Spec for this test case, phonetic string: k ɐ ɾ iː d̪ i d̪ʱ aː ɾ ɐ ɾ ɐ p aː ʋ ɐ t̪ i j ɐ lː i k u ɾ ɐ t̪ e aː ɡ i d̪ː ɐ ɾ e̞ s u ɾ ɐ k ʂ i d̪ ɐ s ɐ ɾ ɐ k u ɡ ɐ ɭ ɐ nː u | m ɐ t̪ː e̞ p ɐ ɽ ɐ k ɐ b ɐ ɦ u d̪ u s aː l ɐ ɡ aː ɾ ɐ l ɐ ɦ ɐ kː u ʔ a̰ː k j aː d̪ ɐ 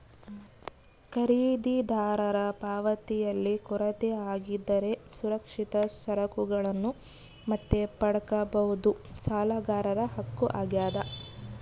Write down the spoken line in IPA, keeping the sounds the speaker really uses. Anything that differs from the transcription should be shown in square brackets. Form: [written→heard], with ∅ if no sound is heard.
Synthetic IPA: k ɐ ɾ iː d̪ i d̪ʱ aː ɾ ɐ ɾ ɐ p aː ʋ ɐ t̪ i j ɐ lː i k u ɾ ɐ t̪ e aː ɡ i d̪ː ɐ ɾ e̞ s u ɾ ɐ k ʂ i [d̪→t̪] ɐ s ɐ ɾ ɐ k u ɡ ɐ ɭ ɐ nː u | m ɐ t̪ː e̞ p ɐ ɽ ɐ k ɐ b ɐ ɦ u d̪ u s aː l ɐ ɡ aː ɾ ɐ [l→ɾ] ɐ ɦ ɐ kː u ʔ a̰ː [k→ɡ] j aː d̪ ɐ

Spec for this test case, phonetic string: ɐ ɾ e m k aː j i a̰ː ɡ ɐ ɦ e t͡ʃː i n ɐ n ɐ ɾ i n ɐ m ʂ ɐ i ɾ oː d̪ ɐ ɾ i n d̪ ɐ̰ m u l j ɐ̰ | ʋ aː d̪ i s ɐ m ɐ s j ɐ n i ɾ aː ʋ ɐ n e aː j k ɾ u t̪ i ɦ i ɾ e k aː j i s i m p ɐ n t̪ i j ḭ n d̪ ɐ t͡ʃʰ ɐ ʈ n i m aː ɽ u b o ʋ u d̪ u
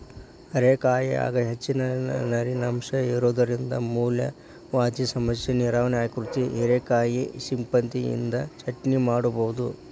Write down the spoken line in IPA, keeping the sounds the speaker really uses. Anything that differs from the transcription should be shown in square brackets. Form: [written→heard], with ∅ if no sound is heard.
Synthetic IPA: ɐ ɾ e [m→∅] k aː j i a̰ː ɡ ɐ ɦ e t͡ʃː i n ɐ n ɐ ɾ i n ɐ m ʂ ɐ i ɾ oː d̪ ɐ ɾ i n d̪ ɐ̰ m [u→uː] l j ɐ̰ | ʋ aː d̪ i s ɐ m ɐ s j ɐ n i ɾ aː ʋ ɐ n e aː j k ɾ u t̪ i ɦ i ɾ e k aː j i s i m p ɐ n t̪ i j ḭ n d̪ ɐ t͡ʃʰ ɐ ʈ n i m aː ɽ u b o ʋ u d̪ u

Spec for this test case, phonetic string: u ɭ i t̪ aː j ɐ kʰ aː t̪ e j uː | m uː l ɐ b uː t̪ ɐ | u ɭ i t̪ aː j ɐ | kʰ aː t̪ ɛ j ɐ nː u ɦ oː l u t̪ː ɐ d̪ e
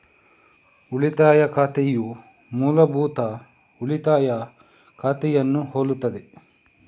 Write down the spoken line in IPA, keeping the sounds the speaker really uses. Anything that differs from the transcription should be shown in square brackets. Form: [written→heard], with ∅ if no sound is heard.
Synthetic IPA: u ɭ i t̪ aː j ɐ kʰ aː t̪ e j [uː→u] | m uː l ɐ b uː t̪ ɐ | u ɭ i t̪ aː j ɐ | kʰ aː t̪ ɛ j ɐ nː u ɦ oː l u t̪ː ɐ d̪ e

